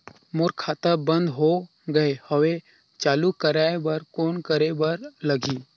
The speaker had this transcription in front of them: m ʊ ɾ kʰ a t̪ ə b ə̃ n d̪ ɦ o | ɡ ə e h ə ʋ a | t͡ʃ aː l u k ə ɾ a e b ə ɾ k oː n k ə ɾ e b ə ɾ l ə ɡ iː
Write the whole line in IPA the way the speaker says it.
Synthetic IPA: m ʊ ɾ kʰ a t̪ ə b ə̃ n d̪ ɦ o | ɡ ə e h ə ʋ e | t͡ʃ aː l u k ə ɾ a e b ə ɾ k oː n k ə ɾ e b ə ɾ l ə ɡ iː